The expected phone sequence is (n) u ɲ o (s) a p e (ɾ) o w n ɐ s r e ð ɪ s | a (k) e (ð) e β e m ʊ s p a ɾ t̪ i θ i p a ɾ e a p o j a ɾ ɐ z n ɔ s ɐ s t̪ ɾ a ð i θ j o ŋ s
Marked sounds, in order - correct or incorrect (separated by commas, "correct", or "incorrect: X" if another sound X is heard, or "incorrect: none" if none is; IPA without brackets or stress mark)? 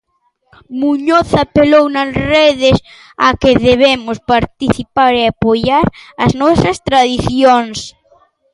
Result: incorrect: m, incorrect: θ, incorrect: l, correct, correct